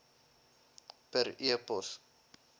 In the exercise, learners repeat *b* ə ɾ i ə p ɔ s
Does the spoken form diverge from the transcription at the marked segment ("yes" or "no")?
yes